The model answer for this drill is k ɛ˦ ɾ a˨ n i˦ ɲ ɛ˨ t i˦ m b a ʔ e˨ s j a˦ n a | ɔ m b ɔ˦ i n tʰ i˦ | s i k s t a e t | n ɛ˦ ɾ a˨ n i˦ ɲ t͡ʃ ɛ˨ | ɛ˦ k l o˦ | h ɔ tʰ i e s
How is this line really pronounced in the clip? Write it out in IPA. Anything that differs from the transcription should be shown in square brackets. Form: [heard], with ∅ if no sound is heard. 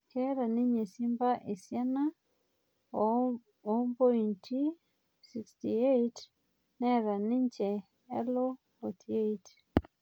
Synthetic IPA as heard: k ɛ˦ ɾ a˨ n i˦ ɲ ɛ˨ [s] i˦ m b a ʔ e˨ s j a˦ n a | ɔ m b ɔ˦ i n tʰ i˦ | s i k s t [i] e t | n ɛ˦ ɾ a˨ n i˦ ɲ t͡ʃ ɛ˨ | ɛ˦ [∅] l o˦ | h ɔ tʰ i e [t]

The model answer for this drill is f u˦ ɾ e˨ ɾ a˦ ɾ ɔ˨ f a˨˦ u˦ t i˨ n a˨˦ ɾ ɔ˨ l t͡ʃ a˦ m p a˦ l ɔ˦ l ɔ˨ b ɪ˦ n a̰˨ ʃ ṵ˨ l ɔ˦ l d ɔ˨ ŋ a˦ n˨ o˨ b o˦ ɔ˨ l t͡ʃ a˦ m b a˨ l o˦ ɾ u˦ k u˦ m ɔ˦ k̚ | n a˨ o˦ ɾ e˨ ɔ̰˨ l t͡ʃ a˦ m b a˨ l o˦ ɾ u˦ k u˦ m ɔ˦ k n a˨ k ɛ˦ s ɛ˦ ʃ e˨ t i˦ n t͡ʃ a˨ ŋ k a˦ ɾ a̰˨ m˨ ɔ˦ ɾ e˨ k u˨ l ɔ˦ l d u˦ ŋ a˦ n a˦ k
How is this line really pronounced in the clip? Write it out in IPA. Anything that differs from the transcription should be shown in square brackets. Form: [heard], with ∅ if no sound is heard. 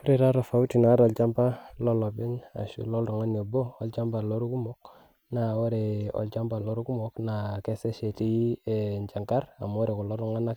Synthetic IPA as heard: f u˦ ɾ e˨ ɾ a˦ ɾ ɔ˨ f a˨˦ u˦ t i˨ n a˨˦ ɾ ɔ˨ l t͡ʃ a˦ m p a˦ l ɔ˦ l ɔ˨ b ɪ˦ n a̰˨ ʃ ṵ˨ l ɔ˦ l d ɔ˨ ŋ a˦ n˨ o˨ b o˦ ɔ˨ l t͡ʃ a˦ m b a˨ l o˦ ɾ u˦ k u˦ m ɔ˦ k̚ | n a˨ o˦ ɾ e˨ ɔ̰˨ l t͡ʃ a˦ m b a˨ l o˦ ɾ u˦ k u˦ m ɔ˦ k n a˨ k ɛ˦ s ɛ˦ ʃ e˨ t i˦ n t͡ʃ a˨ ŋ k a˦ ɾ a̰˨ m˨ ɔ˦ ɾ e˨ k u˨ l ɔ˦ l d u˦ ŋ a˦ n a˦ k

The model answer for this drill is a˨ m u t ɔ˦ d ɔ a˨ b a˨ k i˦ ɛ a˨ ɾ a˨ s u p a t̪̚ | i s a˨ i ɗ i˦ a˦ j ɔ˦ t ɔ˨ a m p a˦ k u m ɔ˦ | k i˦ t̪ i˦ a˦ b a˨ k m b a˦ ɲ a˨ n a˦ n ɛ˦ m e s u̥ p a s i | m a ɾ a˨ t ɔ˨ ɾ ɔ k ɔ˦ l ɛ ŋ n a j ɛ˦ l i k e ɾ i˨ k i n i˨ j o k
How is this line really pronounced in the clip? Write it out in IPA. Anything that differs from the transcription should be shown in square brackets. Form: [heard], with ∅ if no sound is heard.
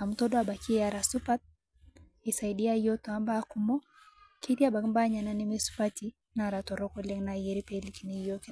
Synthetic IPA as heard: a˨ m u t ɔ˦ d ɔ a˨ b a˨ k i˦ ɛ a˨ ɾ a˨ s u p a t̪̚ | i s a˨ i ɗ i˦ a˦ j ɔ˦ t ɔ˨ a m [b] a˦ k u m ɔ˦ | k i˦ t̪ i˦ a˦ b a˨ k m b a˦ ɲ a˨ n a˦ n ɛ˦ m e s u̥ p a [t] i | [n] a ɾ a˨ t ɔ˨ ɾ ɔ k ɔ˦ l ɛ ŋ n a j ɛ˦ [ɾ] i [p] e [l] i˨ k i n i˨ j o k

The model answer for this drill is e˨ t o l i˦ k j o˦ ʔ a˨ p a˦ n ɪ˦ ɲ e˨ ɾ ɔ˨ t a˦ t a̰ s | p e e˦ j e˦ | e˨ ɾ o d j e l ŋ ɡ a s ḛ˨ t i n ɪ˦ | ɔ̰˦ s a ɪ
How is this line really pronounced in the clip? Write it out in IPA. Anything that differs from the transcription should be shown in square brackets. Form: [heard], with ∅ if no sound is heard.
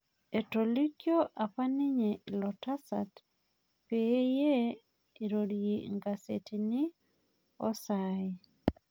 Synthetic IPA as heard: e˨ t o l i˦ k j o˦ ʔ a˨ p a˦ n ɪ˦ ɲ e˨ [l] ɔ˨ t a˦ [s] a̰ [t] | p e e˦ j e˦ | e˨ ɾ o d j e [∅] ŋ ɡ a s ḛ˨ t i n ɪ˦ | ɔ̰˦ s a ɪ

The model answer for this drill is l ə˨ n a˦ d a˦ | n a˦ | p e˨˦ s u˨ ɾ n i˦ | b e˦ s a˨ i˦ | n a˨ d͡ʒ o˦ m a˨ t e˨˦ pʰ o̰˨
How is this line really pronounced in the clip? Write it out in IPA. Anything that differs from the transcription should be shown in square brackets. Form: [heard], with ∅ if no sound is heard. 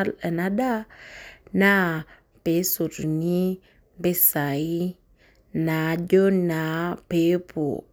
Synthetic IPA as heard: l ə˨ n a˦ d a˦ | n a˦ | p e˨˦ s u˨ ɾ n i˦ | b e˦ s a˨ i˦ | n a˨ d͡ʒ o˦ [n] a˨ [p] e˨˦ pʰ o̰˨

